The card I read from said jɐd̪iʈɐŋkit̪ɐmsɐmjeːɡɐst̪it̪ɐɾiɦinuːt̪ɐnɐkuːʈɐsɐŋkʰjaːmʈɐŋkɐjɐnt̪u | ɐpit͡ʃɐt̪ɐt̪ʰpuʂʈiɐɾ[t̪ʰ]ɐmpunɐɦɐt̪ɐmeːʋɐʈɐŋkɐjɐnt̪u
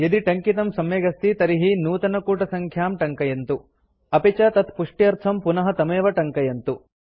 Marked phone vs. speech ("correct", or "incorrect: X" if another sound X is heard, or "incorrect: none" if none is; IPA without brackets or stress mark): correct